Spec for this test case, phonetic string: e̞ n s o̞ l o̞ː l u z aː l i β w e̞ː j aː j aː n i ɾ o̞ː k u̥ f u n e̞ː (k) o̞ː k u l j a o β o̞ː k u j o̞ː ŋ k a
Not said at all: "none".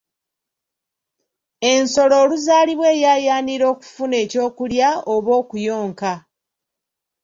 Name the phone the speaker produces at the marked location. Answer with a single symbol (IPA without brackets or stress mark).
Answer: c